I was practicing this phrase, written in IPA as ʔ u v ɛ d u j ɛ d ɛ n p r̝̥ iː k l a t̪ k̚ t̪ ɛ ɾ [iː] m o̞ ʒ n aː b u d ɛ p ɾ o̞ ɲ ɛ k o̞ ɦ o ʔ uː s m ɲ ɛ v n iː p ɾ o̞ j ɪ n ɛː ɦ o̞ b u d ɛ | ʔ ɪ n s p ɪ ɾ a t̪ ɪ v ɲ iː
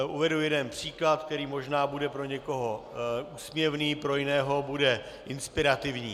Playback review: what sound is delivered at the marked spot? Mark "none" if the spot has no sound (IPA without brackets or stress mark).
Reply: iː